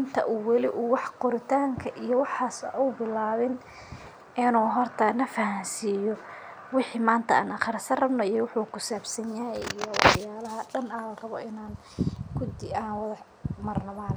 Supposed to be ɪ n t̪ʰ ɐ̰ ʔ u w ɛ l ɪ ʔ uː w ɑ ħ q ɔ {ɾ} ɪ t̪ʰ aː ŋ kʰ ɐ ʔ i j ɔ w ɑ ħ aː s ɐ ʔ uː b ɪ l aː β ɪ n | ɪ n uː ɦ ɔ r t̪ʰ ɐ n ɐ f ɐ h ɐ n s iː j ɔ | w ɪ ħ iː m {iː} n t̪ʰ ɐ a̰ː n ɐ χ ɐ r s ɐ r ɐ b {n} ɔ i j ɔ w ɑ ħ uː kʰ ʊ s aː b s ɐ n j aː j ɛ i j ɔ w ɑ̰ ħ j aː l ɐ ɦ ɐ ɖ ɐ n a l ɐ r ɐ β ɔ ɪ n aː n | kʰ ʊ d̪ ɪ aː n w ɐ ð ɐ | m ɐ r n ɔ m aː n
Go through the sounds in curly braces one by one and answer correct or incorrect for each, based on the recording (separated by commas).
correct, incorrect, correct